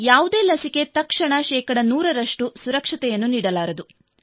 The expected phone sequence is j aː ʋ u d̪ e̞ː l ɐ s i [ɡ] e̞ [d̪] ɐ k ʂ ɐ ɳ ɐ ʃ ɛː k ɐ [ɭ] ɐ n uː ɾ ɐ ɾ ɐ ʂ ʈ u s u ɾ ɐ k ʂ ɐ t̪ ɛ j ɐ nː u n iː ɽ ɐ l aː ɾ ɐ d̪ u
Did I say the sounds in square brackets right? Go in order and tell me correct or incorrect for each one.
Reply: incorrect: k, incorrect: t̪, incorrect: ɽ

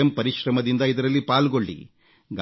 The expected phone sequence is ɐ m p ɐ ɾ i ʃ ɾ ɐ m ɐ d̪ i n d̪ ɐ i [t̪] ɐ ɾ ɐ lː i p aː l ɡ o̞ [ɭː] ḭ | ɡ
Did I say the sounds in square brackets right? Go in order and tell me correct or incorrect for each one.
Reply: incorrect: d̪, correct

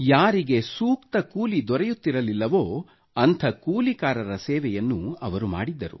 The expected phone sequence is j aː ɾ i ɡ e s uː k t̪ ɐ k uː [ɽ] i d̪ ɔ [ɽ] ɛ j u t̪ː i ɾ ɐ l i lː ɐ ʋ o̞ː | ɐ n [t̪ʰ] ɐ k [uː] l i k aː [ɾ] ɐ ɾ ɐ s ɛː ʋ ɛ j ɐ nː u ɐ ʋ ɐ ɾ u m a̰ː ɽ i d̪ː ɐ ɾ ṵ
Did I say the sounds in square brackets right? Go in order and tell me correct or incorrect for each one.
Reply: incorrect: l, incorrect: ɾ, correct, correct, correct

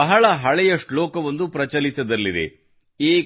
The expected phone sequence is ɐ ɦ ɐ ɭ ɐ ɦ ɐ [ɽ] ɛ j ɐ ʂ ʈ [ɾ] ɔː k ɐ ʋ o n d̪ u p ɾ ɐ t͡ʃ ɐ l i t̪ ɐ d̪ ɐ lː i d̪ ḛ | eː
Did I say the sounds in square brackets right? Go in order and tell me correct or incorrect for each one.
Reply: incorrect: ɭ, incorrect: l

